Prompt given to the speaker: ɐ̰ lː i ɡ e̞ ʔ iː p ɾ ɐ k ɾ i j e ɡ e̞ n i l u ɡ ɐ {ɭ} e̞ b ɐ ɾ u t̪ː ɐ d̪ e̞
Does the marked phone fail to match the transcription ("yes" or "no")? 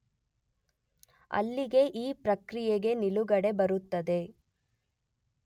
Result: yes